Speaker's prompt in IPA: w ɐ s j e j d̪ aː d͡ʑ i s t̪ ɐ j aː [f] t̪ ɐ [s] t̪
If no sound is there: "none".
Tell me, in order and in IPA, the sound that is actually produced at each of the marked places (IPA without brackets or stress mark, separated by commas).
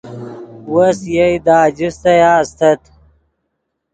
s, none